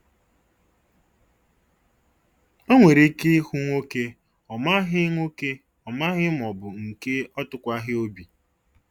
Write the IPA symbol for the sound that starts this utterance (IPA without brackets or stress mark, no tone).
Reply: o